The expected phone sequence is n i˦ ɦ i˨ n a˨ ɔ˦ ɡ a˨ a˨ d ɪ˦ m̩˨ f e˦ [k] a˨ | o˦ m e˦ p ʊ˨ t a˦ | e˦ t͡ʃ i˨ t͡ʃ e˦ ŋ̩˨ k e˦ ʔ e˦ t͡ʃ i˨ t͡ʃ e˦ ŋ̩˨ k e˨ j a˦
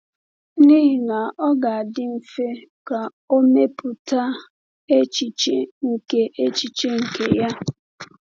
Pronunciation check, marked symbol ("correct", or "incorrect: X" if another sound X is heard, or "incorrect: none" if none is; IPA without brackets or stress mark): correct